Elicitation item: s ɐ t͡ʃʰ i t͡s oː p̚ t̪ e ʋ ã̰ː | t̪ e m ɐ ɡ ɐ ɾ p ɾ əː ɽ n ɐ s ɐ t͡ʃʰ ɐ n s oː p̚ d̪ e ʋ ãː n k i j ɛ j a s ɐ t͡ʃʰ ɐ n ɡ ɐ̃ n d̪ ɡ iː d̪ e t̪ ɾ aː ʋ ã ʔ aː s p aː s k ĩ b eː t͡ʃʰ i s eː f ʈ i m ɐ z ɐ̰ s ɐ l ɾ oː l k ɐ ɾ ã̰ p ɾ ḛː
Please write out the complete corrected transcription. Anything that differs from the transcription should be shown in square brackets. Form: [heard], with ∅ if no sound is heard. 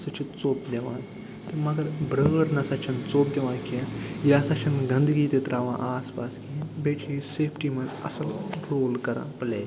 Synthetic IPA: s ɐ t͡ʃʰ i t͡s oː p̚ [d̪] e ʋ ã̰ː | t̪ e m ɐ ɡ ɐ ɾ [b] ɾ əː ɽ n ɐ s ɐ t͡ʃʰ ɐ n [t͡s] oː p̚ d̪ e ʋ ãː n k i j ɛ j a s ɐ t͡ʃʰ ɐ n ɡ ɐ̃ n d̪ ɡ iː [t̪] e t̪ ɾ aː ʋ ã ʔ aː s p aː s k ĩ b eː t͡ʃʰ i s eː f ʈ i m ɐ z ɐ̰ s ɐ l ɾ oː l k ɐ ɾ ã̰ p [l] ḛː